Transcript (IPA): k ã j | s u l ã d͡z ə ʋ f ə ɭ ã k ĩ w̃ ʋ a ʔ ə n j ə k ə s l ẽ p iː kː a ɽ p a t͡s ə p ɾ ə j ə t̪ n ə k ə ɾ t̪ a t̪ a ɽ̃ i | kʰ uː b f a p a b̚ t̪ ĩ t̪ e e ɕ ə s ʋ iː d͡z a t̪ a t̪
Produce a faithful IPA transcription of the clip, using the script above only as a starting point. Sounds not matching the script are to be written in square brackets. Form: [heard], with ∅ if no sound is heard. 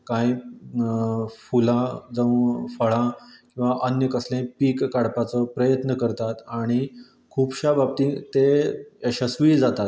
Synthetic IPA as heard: k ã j | [f] u l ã d͡z ə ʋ f ə ɭ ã k ĩ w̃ ʋ a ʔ ə n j ə k ə s l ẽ p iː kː a ɽ p a t͡s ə p ɾ ə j ə t̪ n ə k ə ɾ t̪ a t̪ a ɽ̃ i | kʰ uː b [ɕ] a [b] a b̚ t̪ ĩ t̪ e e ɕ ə s ʋ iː d͡z a t̪ a t̪